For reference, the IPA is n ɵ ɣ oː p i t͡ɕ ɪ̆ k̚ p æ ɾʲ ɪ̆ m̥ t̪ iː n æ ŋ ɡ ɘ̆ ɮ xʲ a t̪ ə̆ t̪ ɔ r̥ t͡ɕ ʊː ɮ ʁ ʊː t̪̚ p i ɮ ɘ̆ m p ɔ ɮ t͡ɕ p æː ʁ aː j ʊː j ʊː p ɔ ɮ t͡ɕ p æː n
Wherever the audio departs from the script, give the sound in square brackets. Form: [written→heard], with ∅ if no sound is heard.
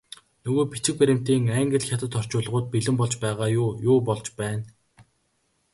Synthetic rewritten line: n ɵ ɣ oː p i t͡ɕ ɪ̆ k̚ p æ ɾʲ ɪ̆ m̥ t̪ iː [n→ŋ] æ ŋ ɡ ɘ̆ ɮ xʲ a t̪ ə̆ t̪ ɔ r̥ t͡ɕ ʊː ɮ ʁ ʊː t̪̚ p i ɮ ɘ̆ m p ɔ ɮ t͡ɕ p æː ʁ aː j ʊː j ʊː p ɔ ɮ t͡ɕ p æː n